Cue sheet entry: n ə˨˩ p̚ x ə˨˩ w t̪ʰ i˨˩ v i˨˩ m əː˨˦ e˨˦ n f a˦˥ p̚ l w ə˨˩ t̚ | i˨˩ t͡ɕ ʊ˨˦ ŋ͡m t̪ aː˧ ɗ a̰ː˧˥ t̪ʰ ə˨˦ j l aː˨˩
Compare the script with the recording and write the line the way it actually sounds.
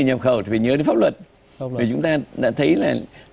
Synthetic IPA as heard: ɲ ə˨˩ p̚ x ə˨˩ w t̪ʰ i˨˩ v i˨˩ ɲ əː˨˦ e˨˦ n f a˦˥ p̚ l w ə˨˩ t̚ | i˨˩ t͡ɕ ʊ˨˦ ŋ͡m t̪ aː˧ ɗ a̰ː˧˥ t̪ʰ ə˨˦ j l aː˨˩